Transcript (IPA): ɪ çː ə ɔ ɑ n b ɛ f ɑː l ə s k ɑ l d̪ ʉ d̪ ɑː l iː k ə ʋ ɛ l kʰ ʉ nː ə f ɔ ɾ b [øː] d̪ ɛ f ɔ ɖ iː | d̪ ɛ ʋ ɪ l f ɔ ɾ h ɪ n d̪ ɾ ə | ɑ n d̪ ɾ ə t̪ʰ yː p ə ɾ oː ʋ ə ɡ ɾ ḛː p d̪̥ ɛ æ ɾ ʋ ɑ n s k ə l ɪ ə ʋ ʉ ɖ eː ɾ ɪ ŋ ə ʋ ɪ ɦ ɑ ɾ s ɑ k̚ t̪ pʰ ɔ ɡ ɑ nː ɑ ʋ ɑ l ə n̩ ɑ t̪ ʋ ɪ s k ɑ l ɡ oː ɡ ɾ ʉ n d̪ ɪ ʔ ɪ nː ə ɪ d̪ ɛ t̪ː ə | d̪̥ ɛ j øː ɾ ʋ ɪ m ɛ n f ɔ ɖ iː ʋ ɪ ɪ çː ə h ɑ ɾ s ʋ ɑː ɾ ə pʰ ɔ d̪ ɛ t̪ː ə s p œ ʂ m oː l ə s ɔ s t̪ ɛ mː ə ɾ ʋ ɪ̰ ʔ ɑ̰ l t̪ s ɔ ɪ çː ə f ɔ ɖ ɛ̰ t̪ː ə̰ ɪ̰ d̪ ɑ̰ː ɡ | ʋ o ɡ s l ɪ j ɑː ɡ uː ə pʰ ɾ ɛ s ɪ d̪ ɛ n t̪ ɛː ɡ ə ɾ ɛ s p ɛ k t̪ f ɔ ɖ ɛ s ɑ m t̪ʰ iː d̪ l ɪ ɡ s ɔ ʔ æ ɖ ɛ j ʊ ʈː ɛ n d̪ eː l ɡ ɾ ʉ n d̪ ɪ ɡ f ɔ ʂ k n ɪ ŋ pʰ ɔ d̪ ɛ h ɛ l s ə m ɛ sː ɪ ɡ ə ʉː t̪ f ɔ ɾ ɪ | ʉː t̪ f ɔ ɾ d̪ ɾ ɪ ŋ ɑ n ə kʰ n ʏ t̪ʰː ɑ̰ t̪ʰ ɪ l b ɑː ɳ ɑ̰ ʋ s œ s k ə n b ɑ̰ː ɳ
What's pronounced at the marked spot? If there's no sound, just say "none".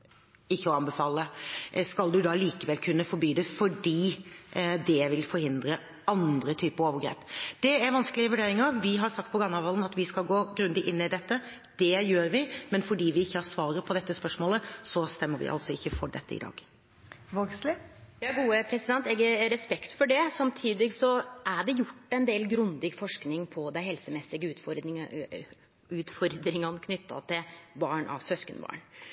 yː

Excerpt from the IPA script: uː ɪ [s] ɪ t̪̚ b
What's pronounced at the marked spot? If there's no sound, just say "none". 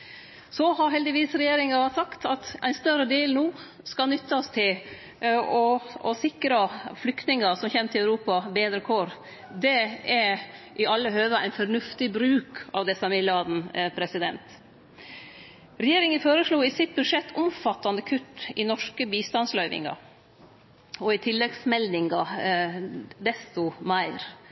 s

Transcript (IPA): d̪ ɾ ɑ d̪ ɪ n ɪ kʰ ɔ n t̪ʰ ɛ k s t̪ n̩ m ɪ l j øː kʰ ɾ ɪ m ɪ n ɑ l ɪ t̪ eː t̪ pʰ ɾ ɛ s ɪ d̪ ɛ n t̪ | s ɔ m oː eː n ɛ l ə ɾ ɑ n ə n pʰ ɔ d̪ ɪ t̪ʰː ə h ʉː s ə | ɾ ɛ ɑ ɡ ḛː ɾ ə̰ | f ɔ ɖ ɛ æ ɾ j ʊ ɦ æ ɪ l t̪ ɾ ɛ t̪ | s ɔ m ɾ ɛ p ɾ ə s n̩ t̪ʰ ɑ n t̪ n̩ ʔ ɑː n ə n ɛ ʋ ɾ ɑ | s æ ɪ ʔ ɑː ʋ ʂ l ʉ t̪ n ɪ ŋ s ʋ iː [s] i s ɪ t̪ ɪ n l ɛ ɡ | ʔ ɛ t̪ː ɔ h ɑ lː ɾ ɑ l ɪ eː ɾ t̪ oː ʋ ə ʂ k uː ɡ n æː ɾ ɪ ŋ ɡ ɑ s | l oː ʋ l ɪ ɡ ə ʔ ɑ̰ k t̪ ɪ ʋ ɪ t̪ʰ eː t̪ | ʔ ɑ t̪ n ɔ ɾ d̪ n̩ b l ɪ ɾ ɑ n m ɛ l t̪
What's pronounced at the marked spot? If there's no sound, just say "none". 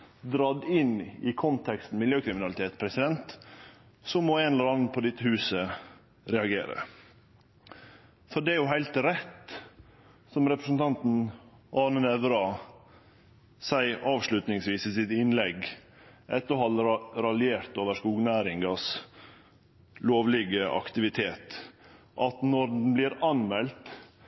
s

